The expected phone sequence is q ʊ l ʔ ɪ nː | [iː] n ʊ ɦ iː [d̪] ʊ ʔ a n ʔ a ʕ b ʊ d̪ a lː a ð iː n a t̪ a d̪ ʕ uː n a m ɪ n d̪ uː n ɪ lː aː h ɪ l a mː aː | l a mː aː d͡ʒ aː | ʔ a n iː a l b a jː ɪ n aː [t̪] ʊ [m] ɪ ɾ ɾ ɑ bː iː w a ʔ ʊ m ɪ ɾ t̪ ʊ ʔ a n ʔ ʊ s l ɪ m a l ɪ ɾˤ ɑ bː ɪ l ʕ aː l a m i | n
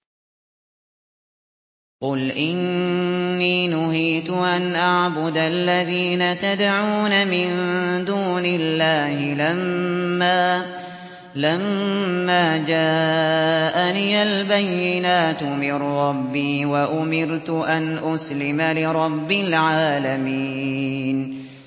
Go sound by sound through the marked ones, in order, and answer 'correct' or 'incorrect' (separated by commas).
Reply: correct, incorrect, correct, correct